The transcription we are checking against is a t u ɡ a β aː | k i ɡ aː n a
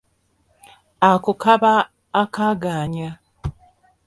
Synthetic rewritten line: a k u k a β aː | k a ɡ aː ɲ a